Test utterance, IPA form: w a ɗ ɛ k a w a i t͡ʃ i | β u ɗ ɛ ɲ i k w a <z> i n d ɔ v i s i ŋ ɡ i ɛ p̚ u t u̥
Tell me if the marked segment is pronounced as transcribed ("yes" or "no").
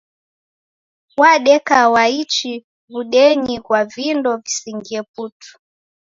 no